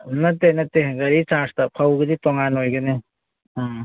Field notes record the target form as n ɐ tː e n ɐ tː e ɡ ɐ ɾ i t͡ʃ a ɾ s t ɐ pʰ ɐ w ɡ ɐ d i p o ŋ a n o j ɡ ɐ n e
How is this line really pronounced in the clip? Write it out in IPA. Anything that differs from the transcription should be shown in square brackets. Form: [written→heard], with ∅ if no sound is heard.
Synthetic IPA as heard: n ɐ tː e n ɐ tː e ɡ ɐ ɾ i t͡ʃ a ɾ s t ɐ pʰ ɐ w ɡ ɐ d i [p→t] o ŋ a n o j ɡ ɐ n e